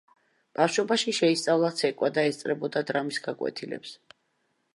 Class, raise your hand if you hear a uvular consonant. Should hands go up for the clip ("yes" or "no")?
no